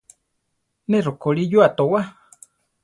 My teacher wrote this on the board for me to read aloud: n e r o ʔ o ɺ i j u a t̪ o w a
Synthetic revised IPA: n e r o k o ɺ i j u a t̪ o w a